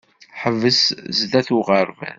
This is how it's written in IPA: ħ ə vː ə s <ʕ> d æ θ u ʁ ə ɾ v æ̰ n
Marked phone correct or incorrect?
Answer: incorrect